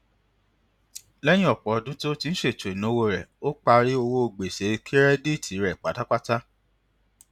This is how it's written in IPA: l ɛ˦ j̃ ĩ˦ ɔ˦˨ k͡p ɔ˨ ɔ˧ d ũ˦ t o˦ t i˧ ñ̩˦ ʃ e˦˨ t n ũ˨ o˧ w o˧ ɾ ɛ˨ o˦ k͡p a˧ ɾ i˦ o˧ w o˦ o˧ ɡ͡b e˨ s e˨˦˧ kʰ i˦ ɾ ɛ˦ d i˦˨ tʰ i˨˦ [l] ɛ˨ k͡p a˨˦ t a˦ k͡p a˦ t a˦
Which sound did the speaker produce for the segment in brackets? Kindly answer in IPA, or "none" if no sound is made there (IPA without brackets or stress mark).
ɾ